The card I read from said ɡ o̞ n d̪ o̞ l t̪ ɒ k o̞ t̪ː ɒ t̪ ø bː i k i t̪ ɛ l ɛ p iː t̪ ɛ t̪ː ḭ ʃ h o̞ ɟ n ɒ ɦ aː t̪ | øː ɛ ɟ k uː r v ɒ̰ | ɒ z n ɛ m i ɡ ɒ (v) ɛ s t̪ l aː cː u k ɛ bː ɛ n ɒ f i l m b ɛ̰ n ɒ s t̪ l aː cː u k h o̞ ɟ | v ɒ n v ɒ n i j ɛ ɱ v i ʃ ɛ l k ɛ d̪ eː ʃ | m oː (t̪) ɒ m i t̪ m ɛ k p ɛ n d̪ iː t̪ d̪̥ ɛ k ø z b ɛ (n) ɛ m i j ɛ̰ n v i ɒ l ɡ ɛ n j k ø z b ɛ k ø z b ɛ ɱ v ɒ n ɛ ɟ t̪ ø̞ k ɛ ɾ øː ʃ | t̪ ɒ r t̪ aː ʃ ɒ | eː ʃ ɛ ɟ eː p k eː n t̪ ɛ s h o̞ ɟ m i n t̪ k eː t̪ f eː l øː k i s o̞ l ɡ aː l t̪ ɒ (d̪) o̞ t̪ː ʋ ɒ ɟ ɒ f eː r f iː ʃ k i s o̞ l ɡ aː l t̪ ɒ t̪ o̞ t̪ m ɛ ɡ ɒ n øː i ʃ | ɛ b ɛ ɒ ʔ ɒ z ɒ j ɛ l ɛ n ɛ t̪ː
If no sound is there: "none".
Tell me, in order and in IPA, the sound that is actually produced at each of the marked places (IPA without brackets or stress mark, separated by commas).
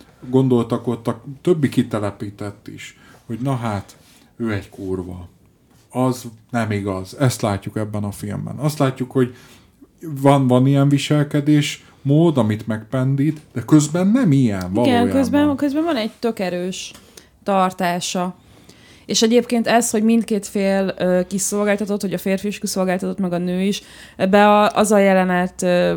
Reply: z, d̪, nː, t̪